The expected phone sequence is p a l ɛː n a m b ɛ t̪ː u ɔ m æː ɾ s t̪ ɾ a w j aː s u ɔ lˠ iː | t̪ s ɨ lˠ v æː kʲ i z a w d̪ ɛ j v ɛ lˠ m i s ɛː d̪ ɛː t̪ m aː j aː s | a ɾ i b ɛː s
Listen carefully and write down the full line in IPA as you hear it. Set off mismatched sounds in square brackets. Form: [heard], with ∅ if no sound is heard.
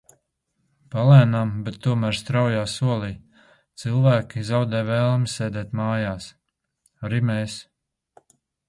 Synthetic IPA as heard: p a l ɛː n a m b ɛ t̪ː u ɔ m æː ɾ s t̪ ɾ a w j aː s u ɔ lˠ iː | t̪ s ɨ lˠ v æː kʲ i z a w d̪ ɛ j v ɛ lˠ m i s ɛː d̪ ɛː t̪ m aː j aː s | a ɾ i [m] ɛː s